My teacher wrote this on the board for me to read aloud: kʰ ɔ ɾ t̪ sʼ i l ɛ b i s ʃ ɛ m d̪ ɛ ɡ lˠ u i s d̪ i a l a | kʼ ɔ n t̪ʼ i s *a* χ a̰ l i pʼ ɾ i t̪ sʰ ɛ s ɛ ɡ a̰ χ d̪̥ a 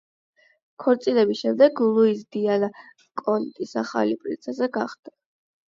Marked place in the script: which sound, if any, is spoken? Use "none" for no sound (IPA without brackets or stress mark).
a